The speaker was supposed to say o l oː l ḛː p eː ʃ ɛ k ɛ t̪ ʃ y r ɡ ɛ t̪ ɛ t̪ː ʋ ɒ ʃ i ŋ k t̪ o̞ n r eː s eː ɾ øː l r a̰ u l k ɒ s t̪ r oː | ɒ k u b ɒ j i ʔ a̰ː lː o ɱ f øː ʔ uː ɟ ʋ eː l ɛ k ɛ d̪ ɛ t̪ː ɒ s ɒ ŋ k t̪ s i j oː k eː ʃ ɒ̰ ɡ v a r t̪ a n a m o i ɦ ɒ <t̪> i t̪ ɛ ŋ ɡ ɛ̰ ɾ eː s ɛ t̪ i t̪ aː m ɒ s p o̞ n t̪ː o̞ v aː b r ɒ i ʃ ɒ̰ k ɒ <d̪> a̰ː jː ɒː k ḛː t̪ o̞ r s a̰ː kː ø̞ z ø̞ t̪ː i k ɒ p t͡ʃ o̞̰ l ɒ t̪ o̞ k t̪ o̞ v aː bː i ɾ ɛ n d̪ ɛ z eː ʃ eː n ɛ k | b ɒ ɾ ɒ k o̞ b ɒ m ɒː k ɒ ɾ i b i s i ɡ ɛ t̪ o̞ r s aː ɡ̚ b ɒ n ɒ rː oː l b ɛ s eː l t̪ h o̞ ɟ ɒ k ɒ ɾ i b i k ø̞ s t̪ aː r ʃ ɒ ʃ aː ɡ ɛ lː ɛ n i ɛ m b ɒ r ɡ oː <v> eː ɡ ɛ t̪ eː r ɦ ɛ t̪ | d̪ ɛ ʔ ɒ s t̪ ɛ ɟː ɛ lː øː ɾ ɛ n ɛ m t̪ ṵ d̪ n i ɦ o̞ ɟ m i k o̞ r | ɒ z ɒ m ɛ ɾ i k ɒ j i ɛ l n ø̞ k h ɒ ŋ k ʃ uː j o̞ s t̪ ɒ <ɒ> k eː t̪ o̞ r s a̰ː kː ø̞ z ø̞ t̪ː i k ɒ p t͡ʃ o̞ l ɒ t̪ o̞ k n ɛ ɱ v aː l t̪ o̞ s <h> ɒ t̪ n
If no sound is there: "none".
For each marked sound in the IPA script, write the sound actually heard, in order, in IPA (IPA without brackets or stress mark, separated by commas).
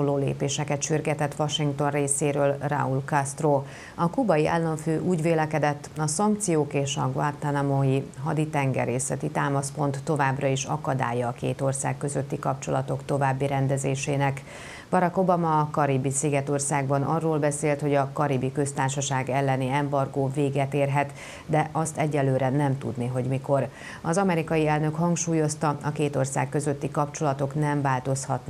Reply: d̪, d̪, v, ɒ, h